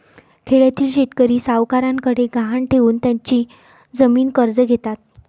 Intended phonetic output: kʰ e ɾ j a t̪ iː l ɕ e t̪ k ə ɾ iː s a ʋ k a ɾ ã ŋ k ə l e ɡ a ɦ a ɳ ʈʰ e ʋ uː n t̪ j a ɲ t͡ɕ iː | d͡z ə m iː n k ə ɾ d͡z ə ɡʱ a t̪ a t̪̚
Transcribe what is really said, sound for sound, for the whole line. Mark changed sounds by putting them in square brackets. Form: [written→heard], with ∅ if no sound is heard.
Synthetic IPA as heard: kʰ e [ɾ→ɭ] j a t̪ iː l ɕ e t̪ k ə ɾ iː s a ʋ k a ɾ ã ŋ k ə [l→ɽ] e ɡ a ɦ a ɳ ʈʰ e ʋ uː n t̪ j a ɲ t͡ɕ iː | d͡z ə m iː n k ə ɾ d͡z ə ɡʱ [a→e] t̪ a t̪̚